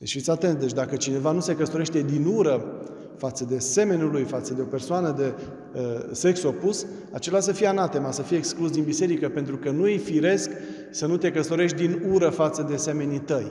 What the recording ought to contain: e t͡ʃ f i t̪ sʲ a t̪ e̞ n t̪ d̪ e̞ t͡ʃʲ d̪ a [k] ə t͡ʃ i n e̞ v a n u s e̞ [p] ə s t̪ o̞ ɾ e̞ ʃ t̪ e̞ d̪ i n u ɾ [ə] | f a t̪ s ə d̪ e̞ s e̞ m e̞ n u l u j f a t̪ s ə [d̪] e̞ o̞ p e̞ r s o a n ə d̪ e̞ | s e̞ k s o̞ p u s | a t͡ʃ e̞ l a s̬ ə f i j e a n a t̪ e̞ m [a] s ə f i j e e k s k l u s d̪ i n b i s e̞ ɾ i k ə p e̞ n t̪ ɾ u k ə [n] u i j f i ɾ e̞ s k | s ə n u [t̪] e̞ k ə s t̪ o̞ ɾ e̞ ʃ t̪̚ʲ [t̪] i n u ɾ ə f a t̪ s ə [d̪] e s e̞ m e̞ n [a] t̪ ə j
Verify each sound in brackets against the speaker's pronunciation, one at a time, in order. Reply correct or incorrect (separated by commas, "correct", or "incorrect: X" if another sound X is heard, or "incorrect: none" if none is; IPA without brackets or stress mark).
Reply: correct, incorrect: k, correct, correct, correct, correct, correct, incorrect: d̪, correct, incorrect: i